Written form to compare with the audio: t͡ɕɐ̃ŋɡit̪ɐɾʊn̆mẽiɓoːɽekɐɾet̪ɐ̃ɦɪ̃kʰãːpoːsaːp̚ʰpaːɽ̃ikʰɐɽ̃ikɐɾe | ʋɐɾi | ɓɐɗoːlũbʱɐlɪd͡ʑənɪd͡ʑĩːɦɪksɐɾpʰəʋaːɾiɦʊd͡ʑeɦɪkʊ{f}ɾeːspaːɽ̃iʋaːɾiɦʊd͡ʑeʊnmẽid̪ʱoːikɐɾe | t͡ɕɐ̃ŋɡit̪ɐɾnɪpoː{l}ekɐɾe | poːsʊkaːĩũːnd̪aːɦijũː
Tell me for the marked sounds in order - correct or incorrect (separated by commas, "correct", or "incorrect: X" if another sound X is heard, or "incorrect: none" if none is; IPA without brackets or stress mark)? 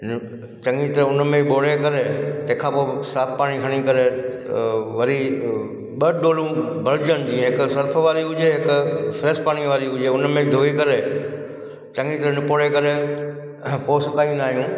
correct, incorrect: ɽ